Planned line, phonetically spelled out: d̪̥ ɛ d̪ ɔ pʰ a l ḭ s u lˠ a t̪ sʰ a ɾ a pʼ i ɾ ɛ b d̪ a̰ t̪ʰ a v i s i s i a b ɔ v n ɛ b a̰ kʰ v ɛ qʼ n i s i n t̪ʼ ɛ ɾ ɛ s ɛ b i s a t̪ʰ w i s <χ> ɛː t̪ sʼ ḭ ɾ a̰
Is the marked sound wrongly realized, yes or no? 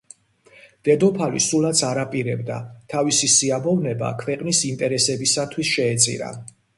yes